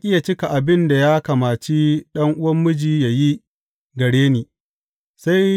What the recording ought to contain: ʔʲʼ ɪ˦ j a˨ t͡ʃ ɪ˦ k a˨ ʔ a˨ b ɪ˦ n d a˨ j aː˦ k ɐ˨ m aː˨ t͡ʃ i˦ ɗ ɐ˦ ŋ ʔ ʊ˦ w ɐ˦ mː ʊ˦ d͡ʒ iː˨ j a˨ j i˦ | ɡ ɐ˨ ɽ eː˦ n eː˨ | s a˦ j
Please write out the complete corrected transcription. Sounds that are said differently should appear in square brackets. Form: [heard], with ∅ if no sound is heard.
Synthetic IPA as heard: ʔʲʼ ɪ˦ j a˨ t͡ʃ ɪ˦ k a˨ ʔ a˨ b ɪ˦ n d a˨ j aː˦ k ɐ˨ m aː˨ t͡ʃ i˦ ɗ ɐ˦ ŋ ʔ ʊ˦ w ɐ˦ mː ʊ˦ d͡ʒ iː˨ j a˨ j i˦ | ɡ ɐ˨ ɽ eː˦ n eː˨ | s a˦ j